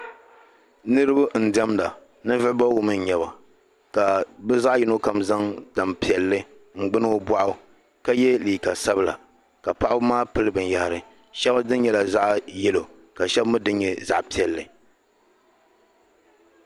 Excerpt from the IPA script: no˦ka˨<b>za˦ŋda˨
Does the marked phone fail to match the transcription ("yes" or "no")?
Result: yes